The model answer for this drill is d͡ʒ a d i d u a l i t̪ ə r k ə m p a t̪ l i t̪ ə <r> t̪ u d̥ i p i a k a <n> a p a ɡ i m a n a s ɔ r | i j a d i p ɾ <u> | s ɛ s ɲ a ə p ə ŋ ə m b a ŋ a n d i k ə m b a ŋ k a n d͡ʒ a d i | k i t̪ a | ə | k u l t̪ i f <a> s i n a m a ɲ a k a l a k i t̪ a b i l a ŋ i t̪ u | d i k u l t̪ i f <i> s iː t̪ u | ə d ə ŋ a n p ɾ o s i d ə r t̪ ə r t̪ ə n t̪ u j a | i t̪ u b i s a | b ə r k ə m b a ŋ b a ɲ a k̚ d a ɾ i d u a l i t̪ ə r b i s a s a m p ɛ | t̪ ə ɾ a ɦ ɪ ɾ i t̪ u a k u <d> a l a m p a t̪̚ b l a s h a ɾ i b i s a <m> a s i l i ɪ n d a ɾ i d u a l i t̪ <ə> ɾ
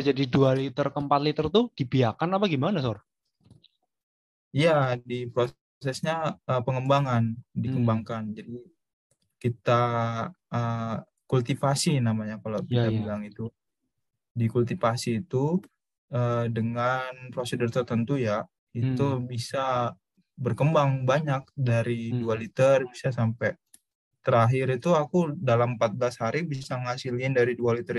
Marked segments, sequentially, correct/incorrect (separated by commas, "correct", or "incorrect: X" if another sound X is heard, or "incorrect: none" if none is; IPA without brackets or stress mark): correct, correct, incorrect: o, correct, incorrect: a, correct, incorrect: ŋ, correct